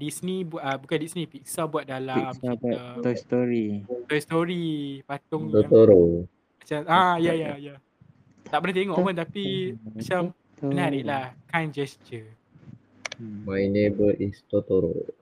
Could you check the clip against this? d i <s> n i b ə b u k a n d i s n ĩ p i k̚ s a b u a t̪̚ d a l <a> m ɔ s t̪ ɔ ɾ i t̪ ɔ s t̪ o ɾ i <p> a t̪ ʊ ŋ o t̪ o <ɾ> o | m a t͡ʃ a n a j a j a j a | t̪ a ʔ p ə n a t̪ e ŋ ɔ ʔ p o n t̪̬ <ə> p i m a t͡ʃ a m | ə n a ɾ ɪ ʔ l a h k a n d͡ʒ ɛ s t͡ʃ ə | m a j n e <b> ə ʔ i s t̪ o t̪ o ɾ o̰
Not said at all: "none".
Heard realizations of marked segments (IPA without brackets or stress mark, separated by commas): s, a, p, ɾ, a, b